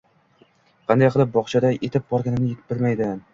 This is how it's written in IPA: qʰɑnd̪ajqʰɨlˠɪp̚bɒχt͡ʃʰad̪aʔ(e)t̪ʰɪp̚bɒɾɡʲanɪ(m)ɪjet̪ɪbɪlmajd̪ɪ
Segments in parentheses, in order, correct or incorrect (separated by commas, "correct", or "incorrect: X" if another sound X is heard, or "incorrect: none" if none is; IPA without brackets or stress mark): correct, incorrect: n